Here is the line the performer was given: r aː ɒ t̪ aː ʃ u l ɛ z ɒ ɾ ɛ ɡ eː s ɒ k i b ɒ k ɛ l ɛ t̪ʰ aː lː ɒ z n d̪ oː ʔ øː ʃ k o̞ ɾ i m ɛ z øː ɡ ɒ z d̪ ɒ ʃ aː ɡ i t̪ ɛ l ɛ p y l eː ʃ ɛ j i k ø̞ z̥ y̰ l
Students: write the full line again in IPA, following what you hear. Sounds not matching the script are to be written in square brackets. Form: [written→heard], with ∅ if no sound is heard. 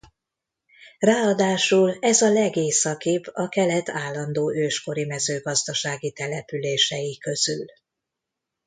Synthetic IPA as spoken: r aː ɒ [t̪→d̪] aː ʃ u l ɛ z ɒ [ɾ→l] ɛ ɡ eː s ɒ k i b ɒ k ɛ l ɛ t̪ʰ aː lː ɒ [z→∅] n d̪ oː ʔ øː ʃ k o̞ ɾ i m ɛ z øː ɡ ɒ z d̪ ɒ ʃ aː ɡ i t̪ ɛ l ɛ p y l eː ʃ ɛ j i k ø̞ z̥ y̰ l